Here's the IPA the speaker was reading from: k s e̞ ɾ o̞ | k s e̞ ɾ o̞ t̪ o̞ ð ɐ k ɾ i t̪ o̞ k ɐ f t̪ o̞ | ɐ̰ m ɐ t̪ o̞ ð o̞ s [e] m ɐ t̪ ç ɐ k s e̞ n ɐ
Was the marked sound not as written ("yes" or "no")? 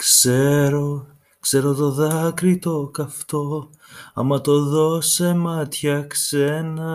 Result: no